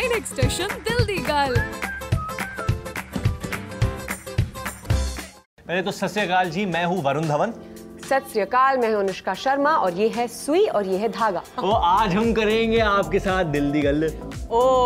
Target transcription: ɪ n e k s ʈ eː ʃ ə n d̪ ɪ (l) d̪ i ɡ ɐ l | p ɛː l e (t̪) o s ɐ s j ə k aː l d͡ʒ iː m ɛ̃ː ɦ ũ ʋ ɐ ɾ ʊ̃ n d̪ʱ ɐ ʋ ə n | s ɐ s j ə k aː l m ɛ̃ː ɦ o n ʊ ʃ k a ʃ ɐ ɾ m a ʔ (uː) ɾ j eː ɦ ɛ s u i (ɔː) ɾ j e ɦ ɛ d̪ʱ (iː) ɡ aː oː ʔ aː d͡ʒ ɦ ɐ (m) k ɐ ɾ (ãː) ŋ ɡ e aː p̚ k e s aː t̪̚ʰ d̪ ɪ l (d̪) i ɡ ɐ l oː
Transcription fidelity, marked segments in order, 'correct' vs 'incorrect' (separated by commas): correct, correct, incorrect, correct, incorrect, correct, incorrect, correct